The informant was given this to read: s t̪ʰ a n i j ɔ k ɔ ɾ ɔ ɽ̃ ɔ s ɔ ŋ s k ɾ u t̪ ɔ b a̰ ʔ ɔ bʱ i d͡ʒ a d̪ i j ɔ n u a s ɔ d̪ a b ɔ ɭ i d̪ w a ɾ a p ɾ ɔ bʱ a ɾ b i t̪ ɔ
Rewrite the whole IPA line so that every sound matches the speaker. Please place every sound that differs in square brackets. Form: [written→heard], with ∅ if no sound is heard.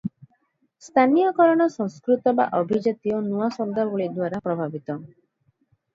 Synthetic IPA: s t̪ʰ a n i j ɔ k ɔ ɾ ɔ ɽ̃ ɔ s ɔ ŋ s k ɾ u t̪ ɔ b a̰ ʔ ɔ bʱ i d͡ʒ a [d̪→t̪] i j ɔ n u a s ɔ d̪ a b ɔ ɭ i d̪ w a ɾ a p ɾ ɔ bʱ a [ɾ→∅] b i t̪ ɔ